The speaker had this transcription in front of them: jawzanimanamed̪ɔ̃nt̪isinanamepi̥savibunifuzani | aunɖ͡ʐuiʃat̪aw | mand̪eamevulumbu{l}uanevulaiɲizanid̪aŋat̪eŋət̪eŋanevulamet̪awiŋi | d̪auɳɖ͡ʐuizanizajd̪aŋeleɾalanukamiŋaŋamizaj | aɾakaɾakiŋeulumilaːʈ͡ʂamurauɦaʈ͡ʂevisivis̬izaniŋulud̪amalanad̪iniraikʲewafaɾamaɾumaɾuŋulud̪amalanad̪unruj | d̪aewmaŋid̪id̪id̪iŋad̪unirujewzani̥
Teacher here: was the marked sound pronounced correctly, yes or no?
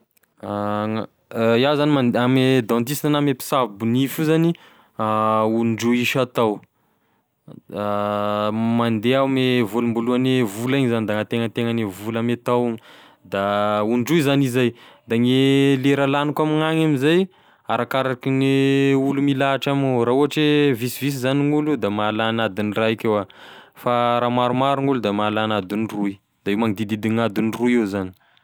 yes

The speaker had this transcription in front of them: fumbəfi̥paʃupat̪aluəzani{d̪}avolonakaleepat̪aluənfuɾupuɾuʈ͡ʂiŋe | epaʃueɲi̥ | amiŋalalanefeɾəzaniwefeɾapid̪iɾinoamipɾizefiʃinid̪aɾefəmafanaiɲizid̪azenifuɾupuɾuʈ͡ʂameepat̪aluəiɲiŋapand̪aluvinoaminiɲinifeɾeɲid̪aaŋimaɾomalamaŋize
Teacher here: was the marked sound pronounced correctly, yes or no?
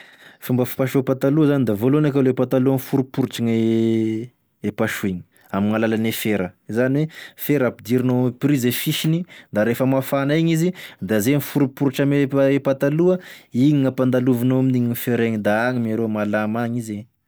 yes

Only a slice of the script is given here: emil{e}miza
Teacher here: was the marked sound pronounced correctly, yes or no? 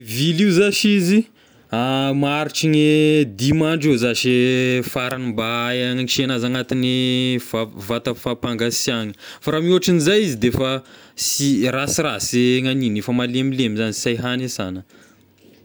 yes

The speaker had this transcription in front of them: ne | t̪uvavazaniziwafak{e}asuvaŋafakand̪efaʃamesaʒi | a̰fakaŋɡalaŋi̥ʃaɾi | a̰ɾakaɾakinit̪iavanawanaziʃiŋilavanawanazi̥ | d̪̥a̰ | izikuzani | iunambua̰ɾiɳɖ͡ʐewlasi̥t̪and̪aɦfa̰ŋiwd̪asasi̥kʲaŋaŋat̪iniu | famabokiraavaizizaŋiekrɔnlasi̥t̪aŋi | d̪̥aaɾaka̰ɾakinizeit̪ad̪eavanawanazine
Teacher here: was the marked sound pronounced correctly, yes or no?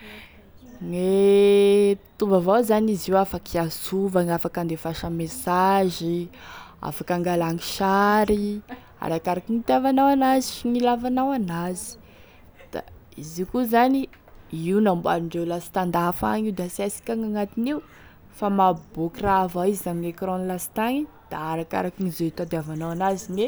no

